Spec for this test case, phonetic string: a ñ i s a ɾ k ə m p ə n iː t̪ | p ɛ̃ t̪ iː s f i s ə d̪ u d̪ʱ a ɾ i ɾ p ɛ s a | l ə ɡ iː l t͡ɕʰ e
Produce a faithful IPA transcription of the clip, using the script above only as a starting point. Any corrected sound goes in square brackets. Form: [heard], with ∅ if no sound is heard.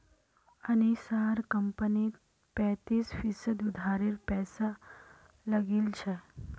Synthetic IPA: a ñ i s a ɾ k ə m p ə n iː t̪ | p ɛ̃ t̪ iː s f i s ə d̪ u d̪ʱ a ɾ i ɾ p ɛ s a | l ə ɡ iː l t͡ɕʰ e